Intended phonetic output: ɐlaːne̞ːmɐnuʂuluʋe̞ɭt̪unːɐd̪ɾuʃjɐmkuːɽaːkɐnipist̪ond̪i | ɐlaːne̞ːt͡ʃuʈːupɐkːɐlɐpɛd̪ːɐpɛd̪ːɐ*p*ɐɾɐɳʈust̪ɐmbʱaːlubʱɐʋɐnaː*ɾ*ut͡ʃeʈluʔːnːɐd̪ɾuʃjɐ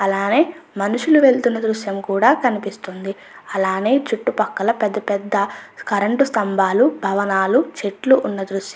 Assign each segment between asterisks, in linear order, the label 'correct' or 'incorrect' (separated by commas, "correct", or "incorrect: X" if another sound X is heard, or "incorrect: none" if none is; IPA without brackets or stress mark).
incorrect: k, incorrect: l